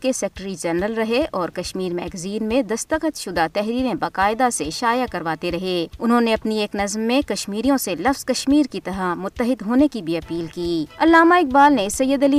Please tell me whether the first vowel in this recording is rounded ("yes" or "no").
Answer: no